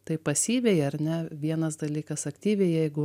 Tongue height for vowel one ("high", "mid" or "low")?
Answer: low